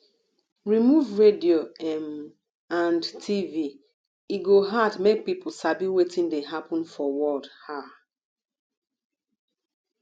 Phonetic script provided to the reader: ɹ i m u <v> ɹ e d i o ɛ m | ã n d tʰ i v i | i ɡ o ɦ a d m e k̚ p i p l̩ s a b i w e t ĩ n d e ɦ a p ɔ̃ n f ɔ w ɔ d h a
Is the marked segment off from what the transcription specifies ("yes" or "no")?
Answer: no